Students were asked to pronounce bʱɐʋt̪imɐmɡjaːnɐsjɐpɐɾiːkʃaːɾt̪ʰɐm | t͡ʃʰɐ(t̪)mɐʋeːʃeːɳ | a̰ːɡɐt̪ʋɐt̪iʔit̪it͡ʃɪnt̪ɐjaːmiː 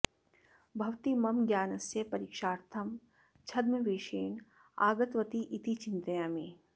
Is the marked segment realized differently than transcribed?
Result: yes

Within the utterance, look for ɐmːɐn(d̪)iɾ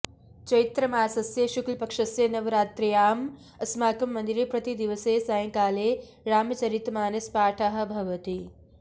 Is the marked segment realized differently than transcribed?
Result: no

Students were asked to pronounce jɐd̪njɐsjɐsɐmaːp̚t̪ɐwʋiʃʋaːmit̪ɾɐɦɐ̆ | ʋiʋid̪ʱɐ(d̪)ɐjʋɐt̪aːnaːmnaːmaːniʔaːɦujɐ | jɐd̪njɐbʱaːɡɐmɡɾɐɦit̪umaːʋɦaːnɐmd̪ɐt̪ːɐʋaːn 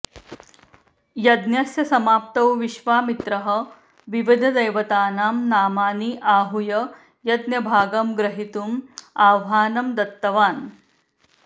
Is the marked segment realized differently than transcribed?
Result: no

